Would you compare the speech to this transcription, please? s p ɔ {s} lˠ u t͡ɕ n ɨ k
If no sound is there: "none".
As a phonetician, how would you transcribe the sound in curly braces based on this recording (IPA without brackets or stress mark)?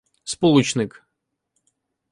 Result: none